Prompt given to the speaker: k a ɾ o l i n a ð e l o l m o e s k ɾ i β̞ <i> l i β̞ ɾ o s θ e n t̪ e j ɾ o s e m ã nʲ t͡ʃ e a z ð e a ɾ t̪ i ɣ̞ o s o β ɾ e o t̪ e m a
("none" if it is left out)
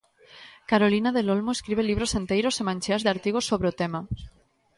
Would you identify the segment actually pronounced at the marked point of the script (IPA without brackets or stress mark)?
e